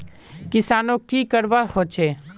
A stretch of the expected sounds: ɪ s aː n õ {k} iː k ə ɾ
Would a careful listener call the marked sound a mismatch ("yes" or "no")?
no